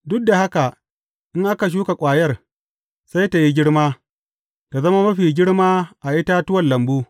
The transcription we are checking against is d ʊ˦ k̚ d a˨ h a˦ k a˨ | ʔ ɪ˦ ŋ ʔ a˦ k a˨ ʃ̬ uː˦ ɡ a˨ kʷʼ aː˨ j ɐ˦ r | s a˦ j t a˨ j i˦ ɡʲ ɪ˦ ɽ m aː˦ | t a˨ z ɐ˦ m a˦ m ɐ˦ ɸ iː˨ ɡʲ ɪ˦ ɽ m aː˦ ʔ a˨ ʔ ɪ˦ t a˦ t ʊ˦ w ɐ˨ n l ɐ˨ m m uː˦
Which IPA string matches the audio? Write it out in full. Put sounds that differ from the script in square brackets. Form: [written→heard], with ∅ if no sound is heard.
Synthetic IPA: d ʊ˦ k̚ d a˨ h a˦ k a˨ | ʔ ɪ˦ ŋ ʔ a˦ k a˨ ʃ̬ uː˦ [ɡ→k] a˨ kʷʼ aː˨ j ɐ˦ r | s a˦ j t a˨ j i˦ ɡʲ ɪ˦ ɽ m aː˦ | t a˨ z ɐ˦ m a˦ m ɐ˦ ɸ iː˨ ɡʲ ɪ˦ ɽ m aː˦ ʔ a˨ ʔ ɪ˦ t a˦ t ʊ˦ w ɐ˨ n l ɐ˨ m [m→b] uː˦